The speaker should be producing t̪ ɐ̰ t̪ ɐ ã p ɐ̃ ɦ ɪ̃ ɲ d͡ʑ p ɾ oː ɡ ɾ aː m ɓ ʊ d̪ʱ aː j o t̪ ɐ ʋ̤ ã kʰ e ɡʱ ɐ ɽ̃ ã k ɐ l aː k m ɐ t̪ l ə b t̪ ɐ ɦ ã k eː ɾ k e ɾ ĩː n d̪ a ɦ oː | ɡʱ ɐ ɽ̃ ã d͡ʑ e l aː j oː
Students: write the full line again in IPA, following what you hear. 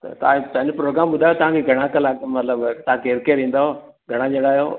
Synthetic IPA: t̪ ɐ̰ t̪ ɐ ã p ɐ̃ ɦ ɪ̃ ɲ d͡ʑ p ɾ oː ɡ ɾ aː m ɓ ʊ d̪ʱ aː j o t̪ ɐ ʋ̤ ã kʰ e ɡʱ ɐ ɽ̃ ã k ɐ l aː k m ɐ t̪ l ə b t̪ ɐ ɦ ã k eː ɾ k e ɾ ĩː n d̪ a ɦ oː | ɡʱ ɐ ɽ̃ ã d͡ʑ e ɽ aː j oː